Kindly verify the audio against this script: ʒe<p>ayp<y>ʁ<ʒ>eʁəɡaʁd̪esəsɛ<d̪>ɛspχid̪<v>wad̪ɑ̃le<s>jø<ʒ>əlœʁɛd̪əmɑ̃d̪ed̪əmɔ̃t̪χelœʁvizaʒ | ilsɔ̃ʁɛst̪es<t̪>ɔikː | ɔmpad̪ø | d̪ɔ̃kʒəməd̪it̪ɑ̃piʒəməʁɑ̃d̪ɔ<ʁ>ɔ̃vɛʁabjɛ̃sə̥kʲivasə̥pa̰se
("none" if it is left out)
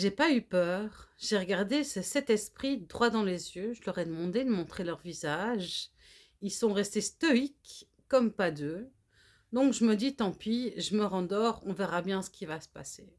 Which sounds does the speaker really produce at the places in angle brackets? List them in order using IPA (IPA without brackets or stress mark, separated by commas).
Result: p, œ, ʒ, t̪, ʁ, z, ʒ, t̪, ʁ